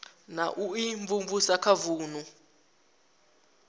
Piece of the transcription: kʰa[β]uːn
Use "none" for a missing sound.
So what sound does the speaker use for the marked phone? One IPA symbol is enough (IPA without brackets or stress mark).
v